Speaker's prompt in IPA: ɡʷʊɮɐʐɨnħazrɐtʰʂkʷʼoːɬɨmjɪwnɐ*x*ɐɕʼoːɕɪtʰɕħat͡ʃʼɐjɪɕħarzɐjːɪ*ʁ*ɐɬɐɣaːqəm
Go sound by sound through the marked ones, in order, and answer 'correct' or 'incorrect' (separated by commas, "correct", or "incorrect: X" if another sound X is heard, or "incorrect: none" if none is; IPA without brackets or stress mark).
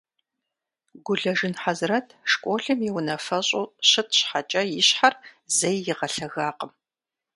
incorrect: f, correct